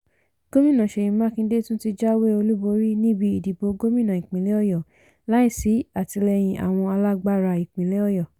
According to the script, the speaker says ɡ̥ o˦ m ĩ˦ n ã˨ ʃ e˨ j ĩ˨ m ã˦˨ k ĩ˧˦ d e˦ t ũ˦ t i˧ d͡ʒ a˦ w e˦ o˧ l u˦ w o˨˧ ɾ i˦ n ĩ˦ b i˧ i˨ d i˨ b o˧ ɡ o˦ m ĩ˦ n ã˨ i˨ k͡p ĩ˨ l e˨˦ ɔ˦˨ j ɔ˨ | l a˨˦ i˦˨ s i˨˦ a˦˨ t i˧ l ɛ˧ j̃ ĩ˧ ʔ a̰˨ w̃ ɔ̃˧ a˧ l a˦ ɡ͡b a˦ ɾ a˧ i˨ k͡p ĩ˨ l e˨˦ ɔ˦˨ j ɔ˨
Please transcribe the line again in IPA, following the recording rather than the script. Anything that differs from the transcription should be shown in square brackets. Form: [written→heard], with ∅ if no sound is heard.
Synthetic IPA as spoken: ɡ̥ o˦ m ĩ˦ n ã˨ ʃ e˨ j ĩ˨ m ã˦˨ k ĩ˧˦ d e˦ t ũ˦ t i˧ d͡ʒ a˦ w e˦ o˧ l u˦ [w→b] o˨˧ ɾ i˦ n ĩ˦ b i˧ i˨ d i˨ b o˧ ɡ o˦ m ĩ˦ n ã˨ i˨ k͡p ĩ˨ l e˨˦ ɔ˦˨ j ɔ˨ | l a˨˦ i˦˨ s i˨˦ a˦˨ t i˧ l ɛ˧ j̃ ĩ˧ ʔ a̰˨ w̃ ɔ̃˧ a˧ l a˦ ɡ͡b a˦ ɾ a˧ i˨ k͡p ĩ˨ l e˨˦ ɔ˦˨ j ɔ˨